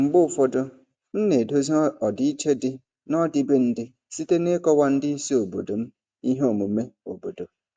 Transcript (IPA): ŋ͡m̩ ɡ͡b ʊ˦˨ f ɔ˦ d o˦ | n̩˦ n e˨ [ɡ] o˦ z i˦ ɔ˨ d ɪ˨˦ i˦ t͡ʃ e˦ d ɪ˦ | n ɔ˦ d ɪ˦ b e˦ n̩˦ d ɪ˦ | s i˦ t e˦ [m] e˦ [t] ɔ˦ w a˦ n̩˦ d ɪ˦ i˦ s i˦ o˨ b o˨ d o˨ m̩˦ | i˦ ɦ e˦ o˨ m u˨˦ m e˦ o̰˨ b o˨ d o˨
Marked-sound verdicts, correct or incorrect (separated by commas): incorrect, incorrect, incorrect